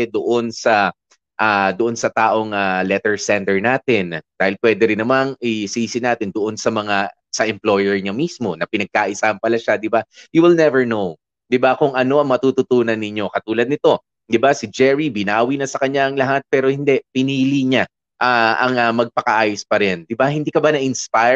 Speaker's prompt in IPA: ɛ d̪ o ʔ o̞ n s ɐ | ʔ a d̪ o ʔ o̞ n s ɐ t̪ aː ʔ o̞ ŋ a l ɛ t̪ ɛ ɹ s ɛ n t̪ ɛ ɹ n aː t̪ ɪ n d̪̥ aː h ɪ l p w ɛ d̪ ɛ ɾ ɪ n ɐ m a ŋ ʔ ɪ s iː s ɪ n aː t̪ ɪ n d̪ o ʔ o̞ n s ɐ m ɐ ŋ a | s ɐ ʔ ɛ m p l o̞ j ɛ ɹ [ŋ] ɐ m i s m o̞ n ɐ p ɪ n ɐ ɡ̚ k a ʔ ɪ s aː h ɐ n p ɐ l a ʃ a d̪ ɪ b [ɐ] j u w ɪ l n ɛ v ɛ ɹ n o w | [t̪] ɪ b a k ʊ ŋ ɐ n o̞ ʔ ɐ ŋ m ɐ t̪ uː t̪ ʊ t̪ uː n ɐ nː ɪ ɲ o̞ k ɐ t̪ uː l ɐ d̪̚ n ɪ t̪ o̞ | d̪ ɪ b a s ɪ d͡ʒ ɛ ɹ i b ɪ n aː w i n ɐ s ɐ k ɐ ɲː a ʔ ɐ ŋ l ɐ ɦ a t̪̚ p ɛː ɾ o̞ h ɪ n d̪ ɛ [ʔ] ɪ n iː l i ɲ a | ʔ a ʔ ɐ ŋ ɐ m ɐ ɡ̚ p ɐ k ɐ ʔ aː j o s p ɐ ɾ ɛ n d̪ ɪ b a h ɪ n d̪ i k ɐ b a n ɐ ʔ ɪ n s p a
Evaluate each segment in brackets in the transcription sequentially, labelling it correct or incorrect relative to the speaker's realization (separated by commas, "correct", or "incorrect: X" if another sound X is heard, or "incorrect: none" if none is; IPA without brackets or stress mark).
incorrect: ɲ, incorrect: a, incorrect: d̪, incorrect: p